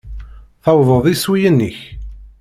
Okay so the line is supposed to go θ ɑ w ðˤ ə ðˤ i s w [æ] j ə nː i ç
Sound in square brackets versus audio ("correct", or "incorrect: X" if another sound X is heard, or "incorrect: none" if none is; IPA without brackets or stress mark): incorrect: i